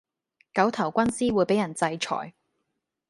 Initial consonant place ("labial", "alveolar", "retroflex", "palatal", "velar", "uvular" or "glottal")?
velar